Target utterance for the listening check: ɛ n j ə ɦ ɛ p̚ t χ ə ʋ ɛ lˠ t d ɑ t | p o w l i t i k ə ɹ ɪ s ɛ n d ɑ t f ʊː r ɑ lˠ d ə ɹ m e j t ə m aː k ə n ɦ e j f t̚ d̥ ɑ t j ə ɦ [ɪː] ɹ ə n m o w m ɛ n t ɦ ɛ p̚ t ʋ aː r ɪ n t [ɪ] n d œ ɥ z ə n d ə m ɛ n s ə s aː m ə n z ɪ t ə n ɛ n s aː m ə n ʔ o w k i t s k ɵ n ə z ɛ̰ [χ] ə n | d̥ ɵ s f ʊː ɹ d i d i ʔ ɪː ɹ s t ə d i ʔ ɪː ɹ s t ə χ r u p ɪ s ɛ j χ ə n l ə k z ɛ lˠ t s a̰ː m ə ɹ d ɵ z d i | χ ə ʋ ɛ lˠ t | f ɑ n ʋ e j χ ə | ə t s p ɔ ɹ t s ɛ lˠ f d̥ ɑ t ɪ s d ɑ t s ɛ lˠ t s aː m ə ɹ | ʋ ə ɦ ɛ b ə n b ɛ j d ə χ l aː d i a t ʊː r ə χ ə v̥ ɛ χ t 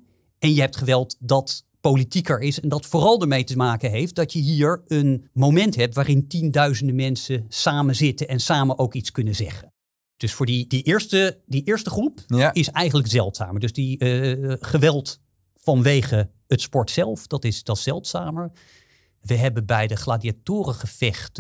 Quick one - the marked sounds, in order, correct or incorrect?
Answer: incorrect: iː, incorrect: i, correct

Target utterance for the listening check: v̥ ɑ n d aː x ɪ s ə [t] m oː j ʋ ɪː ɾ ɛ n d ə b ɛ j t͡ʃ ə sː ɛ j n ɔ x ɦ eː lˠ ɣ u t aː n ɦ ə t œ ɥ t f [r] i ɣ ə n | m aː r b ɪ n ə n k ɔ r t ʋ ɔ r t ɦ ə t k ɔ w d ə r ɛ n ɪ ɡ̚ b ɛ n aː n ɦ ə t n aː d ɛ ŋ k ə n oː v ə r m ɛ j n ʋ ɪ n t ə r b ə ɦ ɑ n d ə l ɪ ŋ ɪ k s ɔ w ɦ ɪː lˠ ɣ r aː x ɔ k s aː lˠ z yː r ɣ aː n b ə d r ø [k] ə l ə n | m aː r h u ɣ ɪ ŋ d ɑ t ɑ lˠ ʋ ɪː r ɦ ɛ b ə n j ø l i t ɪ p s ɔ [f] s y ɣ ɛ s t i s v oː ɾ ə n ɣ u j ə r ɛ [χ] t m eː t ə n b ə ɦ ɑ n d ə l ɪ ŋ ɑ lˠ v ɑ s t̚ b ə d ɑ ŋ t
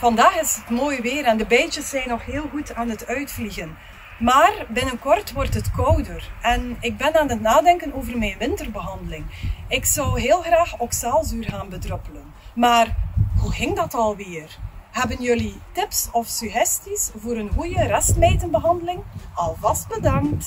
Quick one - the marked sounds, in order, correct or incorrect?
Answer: correct, incorrect: l, incorrect: p, correct, incorrect: s

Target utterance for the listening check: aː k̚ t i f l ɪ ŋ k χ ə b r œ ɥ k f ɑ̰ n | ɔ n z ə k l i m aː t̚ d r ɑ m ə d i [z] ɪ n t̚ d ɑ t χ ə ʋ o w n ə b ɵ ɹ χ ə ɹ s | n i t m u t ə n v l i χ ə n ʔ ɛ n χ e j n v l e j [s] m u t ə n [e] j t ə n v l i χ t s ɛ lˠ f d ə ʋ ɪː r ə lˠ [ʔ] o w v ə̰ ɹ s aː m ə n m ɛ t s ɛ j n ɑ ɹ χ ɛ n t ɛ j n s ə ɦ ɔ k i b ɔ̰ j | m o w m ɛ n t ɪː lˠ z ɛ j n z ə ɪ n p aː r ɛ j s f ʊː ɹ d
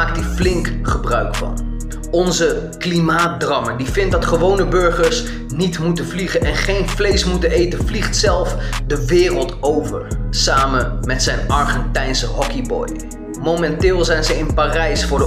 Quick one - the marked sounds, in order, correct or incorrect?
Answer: incorrect: v, correct, correct, incorrect: t

